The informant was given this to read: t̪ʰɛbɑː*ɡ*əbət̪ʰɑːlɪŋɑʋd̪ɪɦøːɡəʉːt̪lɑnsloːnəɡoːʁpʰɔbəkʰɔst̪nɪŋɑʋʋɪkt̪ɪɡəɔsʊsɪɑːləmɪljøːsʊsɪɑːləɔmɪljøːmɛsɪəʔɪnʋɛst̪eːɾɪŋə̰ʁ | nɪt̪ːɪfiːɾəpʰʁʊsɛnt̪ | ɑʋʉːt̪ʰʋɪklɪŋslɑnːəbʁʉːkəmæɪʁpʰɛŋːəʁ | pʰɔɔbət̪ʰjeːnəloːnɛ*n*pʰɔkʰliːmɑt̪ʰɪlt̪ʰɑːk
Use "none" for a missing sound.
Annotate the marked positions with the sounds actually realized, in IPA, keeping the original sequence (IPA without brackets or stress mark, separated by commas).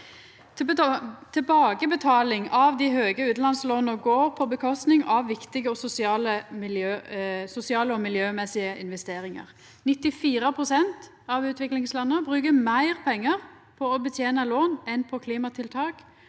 ɡ, n